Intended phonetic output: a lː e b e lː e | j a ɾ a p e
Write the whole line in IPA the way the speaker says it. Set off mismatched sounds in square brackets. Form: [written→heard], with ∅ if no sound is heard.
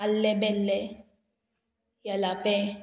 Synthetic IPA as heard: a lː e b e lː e | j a [ɾ→l] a p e